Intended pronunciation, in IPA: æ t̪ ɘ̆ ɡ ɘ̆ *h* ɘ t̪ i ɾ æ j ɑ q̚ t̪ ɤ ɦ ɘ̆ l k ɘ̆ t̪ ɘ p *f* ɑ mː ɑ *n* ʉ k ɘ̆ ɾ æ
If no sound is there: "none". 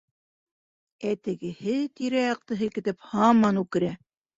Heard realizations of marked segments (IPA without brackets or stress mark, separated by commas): h, h, n